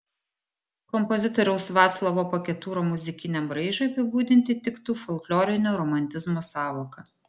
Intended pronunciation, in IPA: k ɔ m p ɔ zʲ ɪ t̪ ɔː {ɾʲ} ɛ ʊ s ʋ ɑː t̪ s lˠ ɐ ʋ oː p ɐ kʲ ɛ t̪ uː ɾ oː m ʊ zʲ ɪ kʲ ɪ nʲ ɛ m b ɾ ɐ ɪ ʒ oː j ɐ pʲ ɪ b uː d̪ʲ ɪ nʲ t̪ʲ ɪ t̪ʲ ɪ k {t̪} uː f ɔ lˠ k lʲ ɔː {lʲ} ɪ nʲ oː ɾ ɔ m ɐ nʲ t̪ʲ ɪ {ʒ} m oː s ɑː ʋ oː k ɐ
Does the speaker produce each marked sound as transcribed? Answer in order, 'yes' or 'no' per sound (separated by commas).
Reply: yes, yes, no, no